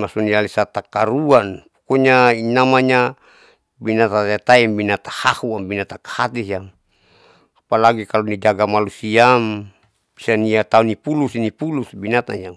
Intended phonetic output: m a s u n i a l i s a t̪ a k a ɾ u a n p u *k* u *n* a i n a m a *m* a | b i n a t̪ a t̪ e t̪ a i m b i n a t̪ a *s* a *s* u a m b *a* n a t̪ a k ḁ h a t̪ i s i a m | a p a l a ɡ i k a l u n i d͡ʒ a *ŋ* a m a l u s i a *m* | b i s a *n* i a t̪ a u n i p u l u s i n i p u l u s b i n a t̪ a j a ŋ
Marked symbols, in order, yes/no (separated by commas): yes, no, no, no, no, no, no, yes, yes